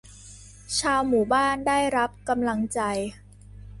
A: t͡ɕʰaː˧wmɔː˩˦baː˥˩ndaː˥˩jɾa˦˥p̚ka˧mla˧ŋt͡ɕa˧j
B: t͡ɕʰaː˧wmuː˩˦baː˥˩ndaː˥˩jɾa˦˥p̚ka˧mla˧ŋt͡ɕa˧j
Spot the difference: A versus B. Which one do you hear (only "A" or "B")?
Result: B